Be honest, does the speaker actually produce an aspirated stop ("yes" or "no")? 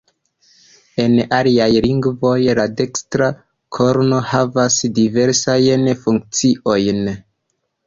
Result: yes